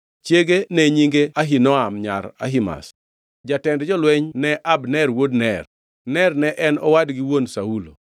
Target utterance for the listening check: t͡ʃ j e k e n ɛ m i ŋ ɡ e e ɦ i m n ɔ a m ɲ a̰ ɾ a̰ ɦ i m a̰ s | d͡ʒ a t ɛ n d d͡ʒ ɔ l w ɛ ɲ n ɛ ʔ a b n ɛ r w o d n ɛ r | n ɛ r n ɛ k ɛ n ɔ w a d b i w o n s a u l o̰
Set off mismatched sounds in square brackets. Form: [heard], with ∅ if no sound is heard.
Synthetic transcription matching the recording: t͡ʃ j e [ɡ] e n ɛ [ɲ] i ŋ ɡ e [a] ɦ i [∅] n ɔ a m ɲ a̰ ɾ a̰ ɦ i m a̰ s | d͡ʒ a t ɛ n d d͡ʒ ɔ l w ɛ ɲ n ɛ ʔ a b n ɛ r w o d n ɛ r | n ɛ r n ɛ [ʔ] ɛ n ɔ w a d [ɡ] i w o n s a u l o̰